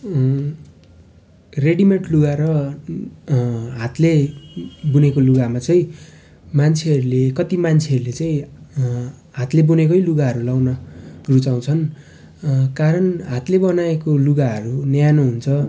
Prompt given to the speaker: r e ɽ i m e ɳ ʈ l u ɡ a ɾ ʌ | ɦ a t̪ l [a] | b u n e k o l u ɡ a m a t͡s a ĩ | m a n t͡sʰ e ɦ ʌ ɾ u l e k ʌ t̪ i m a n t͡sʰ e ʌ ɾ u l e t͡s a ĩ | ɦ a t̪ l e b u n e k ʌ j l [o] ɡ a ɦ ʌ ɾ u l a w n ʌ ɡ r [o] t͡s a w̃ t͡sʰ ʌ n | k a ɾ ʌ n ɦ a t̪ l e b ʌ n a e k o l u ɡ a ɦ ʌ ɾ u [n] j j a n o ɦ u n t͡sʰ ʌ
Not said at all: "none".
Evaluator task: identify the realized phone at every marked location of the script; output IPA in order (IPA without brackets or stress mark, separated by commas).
e, u, u, n